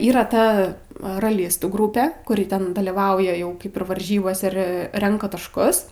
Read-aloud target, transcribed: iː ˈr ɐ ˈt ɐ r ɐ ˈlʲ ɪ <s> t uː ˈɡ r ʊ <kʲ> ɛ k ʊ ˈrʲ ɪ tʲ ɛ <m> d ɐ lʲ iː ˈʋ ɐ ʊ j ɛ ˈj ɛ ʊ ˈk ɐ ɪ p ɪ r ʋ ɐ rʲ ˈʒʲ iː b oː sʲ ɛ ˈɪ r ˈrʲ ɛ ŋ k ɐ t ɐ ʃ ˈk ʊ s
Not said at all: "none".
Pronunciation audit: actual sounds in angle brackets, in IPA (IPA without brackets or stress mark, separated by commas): s, pʲ, n